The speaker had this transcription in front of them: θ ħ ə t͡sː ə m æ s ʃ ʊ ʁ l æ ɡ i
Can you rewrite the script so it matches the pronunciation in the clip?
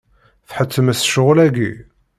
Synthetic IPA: θ ħ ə t͡sː ə m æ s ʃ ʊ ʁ l æ ɡ i